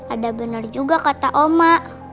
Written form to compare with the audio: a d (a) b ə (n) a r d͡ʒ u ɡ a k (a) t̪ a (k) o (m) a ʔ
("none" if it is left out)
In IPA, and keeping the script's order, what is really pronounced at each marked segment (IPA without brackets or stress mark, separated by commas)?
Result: a, n, a, ʔ, m